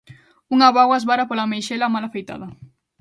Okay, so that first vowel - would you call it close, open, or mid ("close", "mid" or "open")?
close